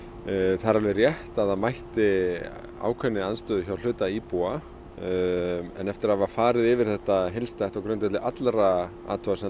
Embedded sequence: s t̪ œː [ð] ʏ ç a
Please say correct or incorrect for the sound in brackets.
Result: correct